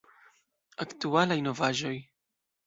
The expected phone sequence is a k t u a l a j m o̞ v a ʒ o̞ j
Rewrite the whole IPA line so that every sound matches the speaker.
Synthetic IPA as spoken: a k t u a l a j n o̞ v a ʒ o̞ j